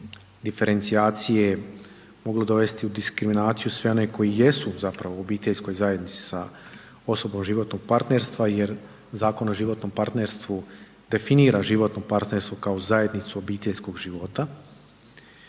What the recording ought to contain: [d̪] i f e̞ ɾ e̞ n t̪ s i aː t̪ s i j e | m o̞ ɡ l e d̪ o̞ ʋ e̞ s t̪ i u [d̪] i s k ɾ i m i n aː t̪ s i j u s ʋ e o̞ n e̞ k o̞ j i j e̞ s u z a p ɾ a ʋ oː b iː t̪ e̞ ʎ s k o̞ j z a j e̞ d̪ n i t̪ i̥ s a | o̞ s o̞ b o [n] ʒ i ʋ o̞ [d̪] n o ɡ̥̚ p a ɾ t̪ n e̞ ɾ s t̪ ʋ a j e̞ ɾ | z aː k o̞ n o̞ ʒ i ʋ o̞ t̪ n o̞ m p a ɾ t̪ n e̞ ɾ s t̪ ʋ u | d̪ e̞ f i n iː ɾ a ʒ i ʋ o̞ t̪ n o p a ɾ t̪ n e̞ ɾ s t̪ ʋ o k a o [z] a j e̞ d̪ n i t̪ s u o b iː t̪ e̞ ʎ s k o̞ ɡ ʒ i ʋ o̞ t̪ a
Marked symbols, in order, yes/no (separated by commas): yes, yes, no, no, yes